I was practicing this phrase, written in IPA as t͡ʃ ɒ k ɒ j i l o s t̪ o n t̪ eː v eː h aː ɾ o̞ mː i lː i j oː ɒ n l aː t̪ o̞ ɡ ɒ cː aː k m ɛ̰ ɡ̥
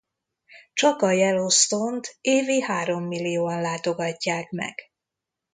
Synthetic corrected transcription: t͡ʃ ɒ k ɒ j ɛ l o s t̪ o n t̪ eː v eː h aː ɾ o̞ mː i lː i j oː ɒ n l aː t̪ o̞ ɡ ɒ cː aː k m ɛ̰ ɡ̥